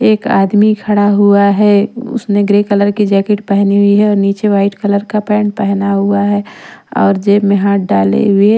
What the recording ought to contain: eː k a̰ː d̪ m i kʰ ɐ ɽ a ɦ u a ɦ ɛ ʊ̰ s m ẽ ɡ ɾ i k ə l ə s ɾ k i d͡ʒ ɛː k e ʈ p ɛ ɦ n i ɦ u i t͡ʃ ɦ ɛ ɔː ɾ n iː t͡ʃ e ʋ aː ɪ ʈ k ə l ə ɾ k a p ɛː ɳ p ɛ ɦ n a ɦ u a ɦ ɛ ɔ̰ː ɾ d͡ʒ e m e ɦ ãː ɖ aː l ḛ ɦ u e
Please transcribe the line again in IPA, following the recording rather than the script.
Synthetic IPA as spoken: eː k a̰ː d̪ m i kʰ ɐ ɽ a ɦ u a ɦ ɛ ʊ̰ s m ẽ ɡ ɾ e k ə l ə ɾ k i d͡ʒ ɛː k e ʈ p ɛ ɦ n i ɦ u i ɦ ɛ ɔː ɾ n iː t͡ʃ e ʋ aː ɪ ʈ k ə l ə ɾ k a p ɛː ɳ p ɛ ɦ n a ɦ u a ɦ ɛ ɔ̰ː ɾ d͡ʒ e m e ɦ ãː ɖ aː l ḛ ɦ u e